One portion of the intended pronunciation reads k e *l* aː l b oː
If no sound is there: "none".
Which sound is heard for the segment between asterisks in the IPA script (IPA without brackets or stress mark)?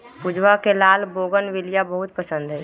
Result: l